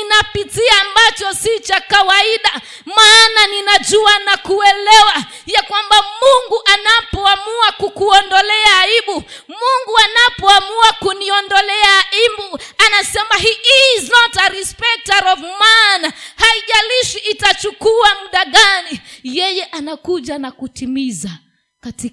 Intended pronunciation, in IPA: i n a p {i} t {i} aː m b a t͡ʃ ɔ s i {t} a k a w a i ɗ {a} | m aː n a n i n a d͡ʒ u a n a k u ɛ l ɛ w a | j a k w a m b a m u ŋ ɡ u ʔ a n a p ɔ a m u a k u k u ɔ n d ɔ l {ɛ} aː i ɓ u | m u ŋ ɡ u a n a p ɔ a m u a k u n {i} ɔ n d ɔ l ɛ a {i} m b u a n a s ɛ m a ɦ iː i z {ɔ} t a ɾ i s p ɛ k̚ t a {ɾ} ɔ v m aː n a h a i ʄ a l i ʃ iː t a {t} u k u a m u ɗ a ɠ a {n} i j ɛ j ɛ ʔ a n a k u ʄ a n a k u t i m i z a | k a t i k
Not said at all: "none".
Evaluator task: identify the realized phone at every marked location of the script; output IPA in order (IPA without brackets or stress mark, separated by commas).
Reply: i, i, t͡ʃ, a, ɛ, i, i, ɔ, ɾ, t͡ʃ, n